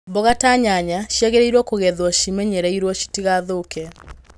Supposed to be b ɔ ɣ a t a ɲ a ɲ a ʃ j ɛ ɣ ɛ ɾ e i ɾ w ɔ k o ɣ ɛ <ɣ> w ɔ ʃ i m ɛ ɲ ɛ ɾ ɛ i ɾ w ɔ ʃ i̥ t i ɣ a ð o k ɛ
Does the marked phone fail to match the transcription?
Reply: yes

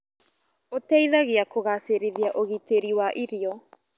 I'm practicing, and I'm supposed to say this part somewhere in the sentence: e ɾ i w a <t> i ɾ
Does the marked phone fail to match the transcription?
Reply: yes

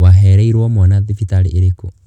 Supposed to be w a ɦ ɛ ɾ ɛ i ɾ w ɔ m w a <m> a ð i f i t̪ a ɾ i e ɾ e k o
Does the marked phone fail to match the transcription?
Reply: yes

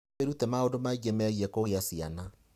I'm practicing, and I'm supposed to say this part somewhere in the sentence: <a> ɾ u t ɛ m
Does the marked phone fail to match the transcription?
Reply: yes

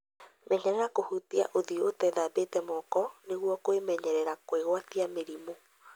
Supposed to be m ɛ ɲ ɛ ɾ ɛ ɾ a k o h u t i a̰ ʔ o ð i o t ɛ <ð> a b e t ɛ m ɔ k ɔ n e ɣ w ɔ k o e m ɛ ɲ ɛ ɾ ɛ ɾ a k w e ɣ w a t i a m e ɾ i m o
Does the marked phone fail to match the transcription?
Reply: no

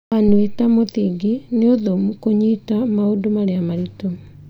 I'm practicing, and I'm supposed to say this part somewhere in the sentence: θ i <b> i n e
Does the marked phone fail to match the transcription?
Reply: yes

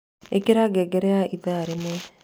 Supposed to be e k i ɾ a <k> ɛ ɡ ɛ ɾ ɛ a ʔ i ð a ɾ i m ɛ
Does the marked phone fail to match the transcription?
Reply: yes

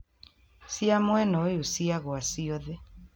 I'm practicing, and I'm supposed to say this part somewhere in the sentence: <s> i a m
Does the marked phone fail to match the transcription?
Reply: no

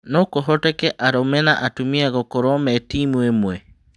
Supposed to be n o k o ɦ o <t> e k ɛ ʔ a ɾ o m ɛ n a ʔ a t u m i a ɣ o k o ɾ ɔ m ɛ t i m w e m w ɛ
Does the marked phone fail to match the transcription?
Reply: no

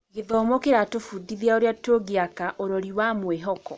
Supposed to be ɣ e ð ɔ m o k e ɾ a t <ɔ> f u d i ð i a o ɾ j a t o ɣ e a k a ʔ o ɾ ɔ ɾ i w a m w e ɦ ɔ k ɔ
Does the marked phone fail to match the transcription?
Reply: yes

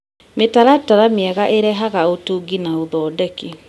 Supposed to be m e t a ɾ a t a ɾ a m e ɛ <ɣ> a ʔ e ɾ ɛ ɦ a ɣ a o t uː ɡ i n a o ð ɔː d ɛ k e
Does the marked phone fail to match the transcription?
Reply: no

